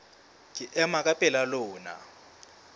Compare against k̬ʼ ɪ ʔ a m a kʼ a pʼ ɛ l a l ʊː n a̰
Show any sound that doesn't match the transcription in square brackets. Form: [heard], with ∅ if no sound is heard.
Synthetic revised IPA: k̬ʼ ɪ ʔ [ɛ] m a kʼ a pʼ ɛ l a l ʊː n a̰